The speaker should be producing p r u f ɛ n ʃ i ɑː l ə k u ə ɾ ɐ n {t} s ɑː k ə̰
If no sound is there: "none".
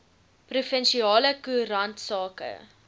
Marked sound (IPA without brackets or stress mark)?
t